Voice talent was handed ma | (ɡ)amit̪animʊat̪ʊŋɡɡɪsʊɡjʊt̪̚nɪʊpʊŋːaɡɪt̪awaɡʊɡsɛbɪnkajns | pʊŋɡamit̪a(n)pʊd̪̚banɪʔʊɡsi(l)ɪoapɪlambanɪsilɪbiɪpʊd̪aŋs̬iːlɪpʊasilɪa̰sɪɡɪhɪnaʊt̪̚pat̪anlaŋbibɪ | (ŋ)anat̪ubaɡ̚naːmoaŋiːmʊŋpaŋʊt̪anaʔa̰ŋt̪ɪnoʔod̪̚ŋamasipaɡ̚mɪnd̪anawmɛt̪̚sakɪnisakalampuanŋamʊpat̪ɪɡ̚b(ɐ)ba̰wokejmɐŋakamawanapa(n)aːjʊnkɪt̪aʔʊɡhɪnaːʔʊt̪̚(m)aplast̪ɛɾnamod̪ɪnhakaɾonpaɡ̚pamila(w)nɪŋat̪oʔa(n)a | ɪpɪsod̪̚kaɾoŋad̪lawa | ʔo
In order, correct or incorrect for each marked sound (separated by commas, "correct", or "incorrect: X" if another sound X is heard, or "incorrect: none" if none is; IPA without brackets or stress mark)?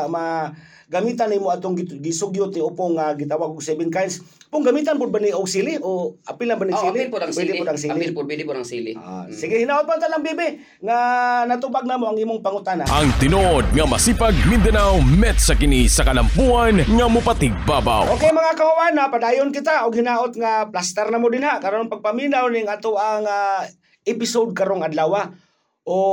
correct, correct, correct, correct, incorrect: a, incorrect: d, incorrect: ŋ, correct, incorrect: ŋ